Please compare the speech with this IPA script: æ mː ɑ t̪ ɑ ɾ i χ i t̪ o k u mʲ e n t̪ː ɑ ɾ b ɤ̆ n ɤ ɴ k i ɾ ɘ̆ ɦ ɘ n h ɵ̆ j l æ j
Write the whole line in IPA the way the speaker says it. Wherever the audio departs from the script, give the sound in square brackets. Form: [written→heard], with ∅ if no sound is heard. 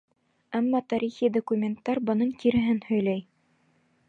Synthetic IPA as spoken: æ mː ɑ t̪ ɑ ɾ i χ i [t̪→d̪] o k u mʲ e n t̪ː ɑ ɾ b ɤ̆ n ɤ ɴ k i ɾ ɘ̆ ɦ ɘ n h ɵ̆ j l æ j